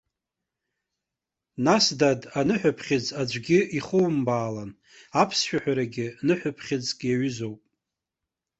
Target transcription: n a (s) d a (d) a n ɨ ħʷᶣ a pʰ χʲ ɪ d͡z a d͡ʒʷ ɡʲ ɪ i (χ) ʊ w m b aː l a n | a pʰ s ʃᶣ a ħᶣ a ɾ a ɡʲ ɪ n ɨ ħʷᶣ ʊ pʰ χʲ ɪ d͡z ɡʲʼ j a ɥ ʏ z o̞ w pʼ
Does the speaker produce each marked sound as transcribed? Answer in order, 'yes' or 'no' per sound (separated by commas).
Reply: yes, yes, yes